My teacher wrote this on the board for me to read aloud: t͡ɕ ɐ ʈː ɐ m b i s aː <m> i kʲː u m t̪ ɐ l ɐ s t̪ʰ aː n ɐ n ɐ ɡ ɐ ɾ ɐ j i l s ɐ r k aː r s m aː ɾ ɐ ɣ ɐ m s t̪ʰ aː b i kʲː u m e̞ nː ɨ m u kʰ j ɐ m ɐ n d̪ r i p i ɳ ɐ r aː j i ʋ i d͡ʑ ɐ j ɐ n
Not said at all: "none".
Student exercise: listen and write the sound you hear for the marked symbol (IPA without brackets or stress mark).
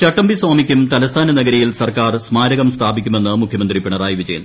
m